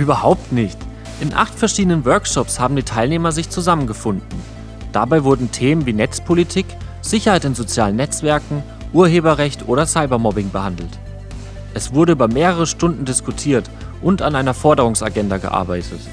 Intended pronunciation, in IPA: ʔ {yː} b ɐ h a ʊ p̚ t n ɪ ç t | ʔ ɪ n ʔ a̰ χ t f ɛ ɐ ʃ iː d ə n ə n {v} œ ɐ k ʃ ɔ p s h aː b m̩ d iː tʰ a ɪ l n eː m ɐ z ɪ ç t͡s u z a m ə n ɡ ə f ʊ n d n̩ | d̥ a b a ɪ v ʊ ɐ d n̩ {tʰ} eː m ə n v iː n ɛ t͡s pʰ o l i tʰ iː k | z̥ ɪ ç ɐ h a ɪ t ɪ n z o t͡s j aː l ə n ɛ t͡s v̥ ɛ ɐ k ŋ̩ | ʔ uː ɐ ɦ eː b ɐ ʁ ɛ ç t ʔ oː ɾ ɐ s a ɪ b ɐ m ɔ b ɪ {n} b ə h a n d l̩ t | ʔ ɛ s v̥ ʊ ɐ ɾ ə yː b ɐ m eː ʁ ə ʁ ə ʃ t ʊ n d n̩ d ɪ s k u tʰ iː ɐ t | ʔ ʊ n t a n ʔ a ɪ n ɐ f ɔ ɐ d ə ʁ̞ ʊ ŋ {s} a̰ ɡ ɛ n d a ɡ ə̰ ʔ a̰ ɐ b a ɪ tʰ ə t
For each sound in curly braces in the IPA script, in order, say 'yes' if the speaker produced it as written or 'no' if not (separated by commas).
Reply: yes, yes, yes, no, yes